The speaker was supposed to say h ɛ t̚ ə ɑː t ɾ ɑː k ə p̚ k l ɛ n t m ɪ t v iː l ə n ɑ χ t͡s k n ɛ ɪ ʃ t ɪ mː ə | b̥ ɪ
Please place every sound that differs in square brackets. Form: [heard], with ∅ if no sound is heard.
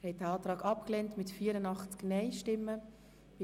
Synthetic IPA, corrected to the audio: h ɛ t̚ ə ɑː t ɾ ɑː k [ɑ] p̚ k l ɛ n t m ɪ t [f] iː [ɾ] ə n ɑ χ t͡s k n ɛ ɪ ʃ t ɪ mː ə | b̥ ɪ